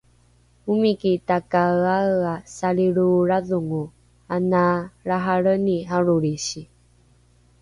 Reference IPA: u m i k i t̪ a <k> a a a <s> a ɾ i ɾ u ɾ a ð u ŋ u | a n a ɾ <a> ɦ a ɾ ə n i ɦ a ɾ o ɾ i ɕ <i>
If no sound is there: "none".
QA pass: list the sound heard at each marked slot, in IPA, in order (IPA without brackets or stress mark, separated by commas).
k, s, a, i